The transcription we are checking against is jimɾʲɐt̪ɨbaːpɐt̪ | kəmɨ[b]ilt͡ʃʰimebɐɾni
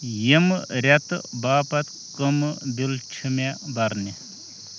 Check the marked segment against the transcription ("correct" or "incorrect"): correct